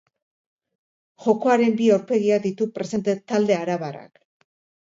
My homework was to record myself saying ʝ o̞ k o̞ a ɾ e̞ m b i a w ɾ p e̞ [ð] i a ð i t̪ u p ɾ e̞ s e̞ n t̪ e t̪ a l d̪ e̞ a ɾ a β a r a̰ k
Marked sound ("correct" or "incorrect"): incorrect